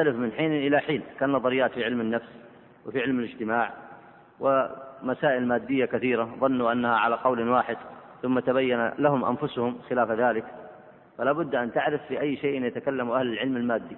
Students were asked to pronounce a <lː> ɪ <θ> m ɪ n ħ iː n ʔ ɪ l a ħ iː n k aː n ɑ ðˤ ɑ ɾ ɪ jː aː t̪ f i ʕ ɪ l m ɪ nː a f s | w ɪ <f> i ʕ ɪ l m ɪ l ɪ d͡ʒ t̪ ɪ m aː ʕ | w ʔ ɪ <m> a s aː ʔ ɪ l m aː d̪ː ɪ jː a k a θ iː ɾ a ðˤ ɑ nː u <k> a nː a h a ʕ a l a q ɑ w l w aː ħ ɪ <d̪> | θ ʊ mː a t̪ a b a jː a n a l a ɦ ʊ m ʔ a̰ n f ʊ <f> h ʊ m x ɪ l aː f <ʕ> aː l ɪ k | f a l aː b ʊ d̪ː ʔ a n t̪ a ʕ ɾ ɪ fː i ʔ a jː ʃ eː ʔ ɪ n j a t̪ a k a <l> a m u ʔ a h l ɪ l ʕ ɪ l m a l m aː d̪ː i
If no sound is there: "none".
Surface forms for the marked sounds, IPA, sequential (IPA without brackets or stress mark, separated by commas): l, f, f, m, ʔ, d̪, s, ð, lː